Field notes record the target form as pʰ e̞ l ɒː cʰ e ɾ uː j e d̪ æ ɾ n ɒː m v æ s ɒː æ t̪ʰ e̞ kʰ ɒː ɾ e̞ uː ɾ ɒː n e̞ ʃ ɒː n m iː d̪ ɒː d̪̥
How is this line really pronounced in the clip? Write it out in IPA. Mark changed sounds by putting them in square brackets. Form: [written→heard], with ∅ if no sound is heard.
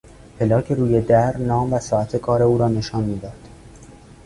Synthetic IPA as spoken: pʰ e̞ l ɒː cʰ e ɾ uː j e d̪ æ ɾ n ɒː m v æ s ɒː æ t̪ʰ e̞ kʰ ɒː ɾ e̞ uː ɾ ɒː n e̞ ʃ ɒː n m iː d̪ ɒː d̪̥